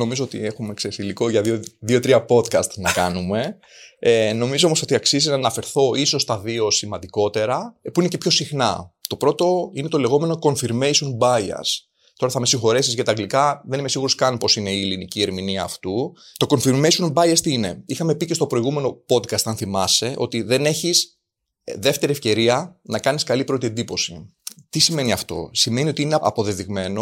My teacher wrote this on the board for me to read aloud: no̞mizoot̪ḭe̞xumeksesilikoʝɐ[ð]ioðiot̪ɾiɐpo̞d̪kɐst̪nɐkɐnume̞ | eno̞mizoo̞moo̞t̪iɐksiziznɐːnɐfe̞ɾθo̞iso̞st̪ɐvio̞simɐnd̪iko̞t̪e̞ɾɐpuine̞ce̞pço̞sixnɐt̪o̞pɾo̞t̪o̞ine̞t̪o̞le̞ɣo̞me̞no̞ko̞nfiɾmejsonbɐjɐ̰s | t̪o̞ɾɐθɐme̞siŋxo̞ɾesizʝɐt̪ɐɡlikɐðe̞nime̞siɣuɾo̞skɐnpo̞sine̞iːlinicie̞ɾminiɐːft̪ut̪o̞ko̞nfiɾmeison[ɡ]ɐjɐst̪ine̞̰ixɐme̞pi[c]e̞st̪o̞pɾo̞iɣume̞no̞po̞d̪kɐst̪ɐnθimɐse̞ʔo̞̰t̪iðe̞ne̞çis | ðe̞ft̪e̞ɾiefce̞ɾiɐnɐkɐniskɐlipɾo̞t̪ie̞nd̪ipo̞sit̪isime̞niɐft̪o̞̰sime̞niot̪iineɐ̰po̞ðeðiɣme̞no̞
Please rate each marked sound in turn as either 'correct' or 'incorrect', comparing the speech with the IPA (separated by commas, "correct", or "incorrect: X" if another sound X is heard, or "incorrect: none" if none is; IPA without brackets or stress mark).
correct, incorrect: b, correct